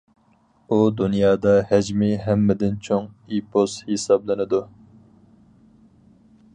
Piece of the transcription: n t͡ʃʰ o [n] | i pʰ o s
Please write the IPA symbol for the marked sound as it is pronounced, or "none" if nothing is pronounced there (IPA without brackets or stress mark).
ŋ